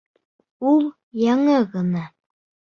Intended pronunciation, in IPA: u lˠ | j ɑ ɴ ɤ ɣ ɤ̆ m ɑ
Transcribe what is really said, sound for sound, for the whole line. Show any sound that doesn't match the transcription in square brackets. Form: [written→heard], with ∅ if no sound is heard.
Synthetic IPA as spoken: u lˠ | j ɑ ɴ ɤ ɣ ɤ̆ [m→n] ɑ

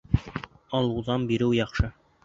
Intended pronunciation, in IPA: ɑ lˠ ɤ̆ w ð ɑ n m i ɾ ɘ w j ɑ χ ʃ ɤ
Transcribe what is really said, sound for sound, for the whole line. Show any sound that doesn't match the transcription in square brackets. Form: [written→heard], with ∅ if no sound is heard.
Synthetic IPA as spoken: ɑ lˠ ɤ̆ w ð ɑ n [m→b] i ɾ ɘ w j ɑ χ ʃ ɤ

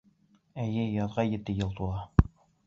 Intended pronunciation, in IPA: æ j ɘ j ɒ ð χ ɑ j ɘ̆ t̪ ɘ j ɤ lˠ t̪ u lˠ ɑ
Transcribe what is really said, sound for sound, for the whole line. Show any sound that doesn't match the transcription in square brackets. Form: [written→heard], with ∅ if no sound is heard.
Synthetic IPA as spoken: æ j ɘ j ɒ ð [χ→ʁ] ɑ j ɘ̆ t̪ ɘ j ɤ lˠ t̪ u lˠ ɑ

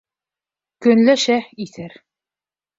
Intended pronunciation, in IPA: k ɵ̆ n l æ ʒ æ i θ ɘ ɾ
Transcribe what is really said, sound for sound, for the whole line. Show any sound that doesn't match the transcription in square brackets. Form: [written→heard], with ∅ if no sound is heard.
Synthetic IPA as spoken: k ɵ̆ n l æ [ʒ→ʃ] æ i θ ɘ ɾ

